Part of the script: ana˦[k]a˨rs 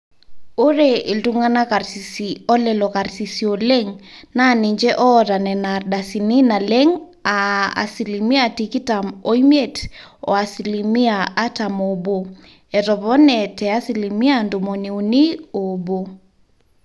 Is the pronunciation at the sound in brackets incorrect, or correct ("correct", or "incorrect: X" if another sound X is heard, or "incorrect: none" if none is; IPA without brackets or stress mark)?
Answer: correct